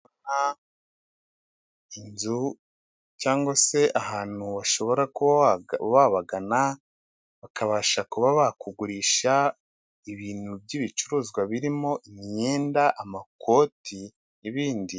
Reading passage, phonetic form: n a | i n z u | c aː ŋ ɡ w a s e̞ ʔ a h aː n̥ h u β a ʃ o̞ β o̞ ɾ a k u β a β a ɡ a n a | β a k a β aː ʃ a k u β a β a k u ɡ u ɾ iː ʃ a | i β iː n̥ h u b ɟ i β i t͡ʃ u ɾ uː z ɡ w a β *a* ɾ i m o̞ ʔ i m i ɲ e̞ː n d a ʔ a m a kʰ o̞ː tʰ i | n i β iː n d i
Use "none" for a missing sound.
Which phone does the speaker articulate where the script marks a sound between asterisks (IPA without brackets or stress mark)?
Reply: i